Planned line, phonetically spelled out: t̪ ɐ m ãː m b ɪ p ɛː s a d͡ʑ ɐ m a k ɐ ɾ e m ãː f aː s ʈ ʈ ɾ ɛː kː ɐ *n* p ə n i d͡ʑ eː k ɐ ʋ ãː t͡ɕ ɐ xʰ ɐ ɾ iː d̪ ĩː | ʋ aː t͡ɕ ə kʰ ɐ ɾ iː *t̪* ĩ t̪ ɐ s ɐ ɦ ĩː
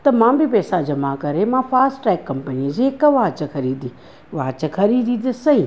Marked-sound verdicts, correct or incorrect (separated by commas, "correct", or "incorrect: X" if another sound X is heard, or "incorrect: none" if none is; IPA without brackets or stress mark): incorrect: m, incorrect: d̪